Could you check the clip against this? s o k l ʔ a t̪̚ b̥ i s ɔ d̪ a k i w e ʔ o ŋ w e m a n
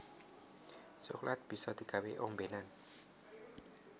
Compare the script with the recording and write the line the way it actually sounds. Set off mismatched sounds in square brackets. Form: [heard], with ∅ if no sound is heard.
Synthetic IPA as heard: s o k l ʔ a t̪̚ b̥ i s ɔ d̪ [i] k [a] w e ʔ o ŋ [b] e [n] a n